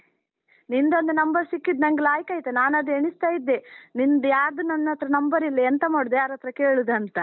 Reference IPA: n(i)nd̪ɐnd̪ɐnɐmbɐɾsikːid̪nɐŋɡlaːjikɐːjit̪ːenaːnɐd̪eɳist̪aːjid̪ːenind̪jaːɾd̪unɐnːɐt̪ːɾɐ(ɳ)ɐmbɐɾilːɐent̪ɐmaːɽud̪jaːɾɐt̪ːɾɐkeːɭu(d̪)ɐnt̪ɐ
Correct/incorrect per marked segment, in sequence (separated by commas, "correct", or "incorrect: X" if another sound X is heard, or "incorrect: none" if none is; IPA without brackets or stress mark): correct, incorrect: n, correct